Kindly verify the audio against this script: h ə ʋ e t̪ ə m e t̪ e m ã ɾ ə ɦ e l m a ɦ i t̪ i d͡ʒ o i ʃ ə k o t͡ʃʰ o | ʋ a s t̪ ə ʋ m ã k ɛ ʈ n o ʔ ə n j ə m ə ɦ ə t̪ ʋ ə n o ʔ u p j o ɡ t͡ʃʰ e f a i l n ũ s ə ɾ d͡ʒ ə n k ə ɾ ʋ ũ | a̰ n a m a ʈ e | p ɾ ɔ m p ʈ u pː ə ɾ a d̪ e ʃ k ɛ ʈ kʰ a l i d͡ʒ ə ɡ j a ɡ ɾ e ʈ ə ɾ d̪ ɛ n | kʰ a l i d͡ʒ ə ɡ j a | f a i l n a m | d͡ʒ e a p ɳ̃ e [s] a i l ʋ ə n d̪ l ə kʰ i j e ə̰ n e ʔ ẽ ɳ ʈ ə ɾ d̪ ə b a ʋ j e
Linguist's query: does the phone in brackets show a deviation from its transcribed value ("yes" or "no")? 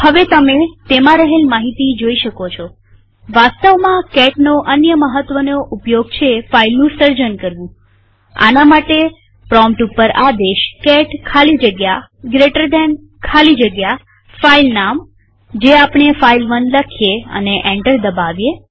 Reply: yes